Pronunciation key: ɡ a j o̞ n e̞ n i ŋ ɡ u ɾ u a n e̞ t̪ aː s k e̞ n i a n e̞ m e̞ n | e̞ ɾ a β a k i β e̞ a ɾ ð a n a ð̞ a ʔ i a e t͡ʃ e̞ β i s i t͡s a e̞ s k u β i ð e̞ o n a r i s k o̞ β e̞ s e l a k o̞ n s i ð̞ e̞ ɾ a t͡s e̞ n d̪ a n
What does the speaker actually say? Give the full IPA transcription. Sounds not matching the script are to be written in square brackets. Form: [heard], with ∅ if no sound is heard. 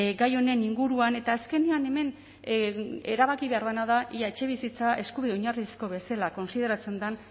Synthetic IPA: ɡ a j o̞ n e̞ n i ŋ ɡ u ɾ u a n e̞ t̪ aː s k e̞ n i a n e̞ m e̞ n | e̞ ɾ a β a k i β e̞ a ɾ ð a n a ð̞ a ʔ i a e t͡ʃ e̞ β i s i t͡s a e̞ s k u β i ð e̞ o [ɲ] a r i s k o̞ β e̞ s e l a k o̞ n s i ð̞ e̞ ɾ a t͡s e̞ n d̪ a n